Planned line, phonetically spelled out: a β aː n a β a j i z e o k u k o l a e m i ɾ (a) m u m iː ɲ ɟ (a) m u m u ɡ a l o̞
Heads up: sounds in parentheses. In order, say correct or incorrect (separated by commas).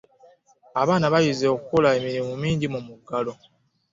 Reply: incorrect, incorrect